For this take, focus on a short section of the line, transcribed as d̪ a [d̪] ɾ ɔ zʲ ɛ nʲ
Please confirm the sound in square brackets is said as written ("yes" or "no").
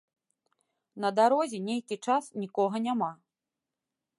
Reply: no